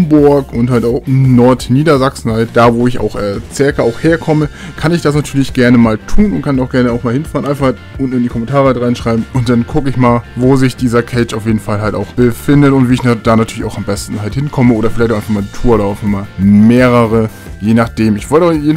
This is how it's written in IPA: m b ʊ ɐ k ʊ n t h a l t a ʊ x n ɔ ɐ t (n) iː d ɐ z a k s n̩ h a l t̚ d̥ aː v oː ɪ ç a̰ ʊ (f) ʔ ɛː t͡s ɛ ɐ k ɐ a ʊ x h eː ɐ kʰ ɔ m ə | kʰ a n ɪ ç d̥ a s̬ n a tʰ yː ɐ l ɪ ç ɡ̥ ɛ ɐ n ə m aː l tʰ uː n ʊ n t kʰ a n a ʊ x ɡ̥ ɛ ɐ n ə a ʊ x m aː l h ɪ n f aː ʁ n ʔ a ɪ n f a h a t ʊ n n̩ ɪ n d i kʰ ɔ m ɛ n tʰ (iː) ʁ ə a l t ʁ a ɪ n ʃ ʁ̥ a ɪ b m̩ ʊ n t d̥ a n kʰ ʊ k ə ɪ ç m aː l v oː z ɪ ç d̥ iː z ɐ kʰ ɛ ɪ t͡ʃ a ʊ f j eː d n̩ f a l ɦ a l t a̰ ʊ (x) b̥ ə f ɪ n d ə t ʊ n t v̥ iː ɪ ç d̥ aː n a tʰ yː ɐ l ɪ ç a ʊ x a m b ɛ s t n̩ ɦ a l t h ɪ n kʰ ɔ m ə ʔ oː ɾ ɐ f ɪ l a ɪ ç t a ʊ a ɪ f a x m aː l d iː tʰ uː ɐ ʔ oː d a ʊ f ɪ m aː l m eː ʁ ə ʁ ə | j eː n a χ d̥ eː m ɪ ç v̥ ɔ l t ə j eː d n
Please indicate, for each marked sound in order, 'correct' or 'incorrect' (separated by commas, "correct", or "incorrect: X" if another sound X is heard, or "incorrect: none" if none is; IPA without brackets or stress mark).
correct, incorrect: x, incorrect: aː, correct